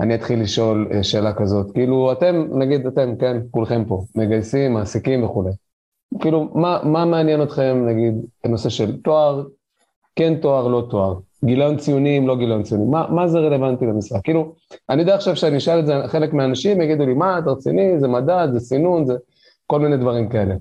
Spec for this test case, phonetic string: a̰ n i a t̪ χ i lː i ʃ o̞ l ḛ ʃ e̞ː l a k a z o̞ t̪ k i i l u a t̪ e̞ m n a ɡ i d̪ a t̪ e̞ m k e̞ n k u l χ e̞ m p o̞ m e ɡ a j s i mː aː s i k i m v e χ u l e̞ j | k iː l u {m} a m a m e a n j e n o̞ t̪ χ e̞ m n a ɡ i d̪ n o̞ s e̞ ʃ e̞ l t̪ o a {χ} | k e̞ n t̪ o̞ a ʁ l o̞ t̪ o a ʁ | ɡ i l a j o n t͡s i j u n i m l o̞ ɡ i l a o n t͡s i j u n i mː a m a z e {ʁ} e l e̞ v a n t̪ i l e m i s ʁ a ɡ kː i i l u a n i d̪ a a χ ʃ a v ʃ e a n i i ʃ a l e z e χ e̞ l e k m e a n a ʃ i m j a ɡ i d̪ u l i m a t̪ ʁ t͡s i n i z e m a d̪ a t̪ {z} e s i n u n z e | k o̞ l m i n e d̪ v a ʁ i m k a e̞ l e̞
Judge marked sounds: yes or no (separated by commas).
yes, no, yes, yes